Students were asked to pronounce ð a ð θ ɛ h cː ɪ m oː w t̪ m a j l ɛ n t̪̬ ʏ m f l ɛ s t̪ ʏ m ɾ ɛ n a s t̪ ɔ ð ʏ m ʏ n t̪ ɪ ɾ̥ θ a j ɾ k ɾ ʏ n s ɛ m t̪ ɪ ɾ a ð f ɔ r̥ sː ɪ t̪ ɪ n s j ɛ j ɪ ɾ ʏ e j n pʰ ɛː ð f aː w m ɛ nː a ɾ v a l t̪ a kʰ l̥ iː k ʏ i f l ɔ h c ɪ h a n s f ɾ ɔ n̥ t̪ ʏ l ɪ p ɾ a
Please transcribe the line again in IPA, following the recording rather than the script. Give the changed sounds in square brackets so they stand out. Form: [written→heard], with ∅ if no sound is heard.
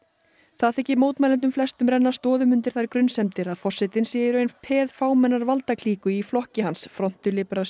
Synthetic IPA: [ð→θ] a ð θ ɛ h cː ɪ m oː w t̪ m a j l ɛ n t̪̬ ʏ m f l ɛ s t̪ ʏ m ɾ ɛ [n→nː] a s t̪ [ɔ→ɔː] ð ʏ m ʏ n t̪ ɪ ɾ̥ θ a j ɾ k ɾ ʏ n s ɛ m t̪ ɪ ɾ a ð f ɔ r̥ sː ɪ t̪ ɪ n s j ɛ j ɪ ɾ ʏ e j n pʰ ɛː ð f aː w m ɛ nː a ɾ v a l t̪ a kʰ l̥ iː k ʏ i f l ɔ h c ɪ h a n s f ɾ ɔ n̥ t̪ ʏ l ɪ p ɾ a

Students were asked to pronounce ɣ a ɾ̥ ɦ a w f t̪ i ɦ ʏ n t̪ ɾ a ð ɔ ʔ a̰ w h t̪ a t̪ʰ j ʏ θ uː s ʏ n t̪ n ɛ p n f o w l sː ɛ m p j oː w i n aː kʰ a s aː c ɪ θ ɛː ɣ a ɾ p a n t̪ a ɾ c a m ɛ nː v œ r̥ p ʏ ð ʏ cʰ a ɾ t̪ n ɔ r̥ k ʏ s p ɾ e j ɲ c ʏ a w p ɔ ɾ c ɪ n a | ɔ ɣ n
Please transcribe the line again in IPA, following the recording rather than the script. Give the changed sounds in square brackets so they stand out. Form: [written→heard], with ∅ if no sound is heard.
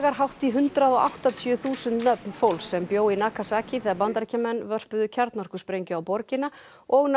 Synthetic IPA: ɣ a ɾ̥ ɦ a w [f→h] t̪ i ɦ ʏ n t̪ ɾ a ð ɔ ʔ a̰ w h t̪ a t̪ʰ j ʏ θ uː s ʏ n t̪ n [ɛ→œ] p n f o w l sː ɛ m p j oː w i n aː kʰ a s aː c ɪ θ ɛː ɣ a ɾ p a n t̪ a ɾ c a m ɛ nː v œ r̥ p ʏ ð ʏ cʰ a ɾ t̪ n ɔ r̥ k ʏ s p ɾ e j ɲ c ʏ a w p ɔ ɾ c ɪ n a | ɔ ɣ n

